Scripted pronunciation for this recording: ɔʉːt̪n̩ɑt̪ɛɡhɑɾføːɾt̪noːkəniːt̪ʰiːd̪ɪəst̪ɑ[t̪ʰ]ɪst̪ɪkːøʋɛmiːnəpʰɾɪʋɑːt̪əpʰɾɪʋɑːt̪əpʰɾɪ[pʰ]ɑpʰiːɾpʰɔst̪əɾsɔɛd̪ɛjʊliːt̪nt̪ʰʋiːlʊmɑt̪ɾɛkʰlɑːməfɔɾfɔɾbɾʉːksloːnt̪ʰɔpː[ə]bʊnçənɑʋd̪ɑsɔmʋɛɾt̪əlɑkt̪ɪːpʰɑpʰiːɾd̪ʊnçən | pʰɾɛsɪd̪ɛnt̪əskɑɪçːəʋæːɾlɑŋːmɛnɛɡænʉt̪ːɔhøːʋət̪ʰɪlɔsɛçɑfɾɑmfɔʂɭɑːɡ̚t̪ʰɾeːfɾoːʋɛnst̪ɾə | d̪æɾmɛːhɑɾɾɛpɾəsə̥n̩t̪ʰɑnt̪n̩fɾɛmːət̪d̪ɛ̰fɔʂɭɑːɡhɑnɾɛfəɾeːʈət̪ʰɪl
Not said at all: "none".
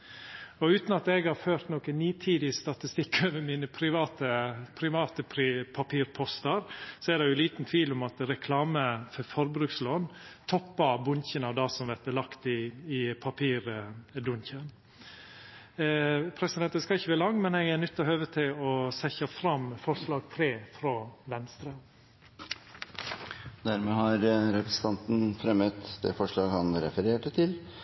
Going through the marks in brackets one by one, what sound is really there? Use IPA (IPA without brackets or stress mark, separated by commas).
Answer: t̪, pʰ, ɑ